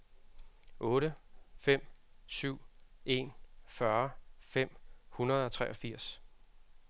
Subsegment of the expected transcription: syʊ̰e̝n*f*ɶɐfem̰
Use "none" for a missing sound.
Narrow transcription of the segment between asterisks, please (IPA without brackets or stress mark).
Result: f